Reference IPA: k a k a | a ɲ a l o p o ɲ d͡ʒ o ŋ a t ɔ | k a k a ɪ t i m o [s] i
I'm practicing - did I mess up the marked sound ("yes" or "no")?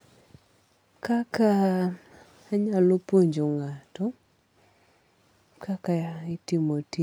yes